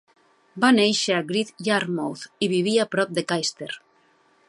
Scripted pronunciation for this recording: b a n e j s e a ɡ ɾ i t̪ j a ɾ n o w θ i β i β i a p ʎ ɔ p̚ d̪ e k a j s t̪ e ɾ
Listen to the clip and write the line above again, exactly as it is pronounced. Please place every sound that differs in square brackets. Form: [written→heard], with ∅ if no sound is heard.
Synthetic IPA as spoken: b a n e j [s→ʃ] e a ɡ ɾ i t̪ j a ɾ [n→m] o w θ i β i β i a p [ʎ→ɾ] ɔ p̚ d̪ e k a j s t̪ e ɾ